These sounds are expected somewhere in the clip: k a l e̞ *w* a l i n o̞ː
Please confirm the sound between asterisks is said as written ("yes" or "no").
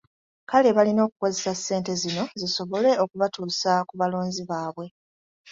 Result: no